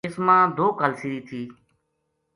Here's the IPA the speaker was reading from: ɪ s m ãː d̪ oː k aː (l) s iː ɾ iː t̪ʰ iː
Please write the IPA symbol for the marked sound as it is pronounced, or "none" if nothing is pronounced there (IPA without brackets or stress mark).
l